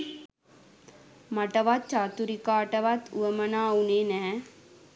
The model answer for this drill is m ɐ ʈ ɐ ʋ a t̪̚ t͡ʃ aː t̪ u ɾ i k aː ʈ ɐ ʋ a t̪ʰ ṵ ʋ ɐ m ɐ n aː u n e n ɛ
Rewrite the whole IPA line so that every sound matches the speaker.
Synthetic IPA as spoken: m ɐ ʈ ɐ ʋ a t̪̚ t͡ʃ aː t̪ u ɾ i k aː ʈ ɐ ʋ a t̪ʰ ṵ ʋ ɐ m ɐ n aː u n e n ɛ